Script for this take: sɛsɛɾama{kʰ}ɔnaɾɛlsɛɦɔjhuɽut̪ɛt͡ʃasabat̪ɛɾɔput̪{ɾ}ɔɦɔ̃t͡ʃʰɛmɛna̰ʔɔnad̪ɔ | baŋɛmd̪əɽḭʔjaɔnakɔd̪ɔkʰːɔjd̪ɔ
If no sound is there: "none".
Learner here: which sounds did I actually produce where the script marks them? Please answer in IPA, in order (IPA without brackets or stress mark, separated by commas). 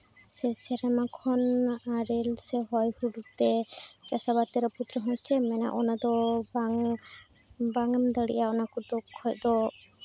kʰ, ɾ